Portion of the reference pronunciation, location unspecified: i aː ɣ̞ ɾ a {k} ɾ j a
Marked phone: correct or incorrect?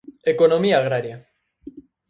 incorrect